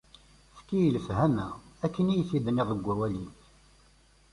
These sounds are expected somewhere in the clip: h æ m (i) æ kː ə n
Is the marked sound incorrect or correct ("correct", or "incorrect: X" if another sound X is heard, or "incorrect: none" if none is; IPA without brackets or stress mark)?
incorrect: æ